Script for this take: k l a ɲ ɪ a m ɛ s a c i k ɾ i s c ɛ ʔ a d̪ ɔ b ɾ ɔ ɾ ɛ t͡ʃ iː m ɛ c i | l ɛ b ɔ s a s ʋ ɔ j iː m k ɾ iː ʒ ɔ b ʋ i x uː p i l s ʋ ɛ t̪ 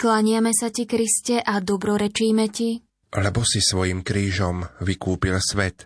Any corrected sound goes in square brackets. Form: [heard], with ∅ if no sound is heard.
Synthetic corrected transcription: k l a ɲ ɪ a m ɛ s a c i k ɾ i s c ɛ ʔ a d̪ ɔ b ɾ ɔ ɾ ɛ t͡ʃ iː m ɛ c i | l ɛ b ɔ s [i] s ʋ ɔ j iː m k ɾ iː ʒ ɔ [m] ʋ i [k] uː p i l s ʋ ɛ t̪